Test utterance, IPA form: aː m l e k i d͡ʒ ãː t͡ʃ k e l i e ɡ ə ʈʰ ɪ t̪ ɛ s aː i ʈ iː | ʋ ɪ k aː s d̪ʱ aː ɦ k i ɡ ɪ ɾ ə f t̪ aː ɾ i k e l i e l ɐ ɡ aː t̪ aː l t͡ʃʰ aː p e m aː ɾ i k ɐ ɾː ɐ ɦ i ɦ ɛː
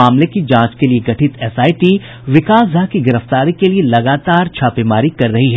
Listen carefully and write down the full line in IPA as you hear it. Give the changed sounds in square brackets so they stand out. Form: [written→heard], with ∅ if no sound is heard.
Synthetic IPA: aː m l e k i d͡ʒ ãː t͡ʃ k e l i e ɡ [ə→ɐ] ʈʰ ɪ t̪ ɛ s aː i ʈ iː | ʋ ɪ k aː s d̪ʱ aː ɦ k i ɡ ɪ ɾ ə f t̪ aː ɾ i k e l i e l ɐ ɡ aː t̪ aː [l→ɾ] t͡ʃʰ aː p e m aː ɾ i k ɐ ɾː ɐ ɦ i ɦ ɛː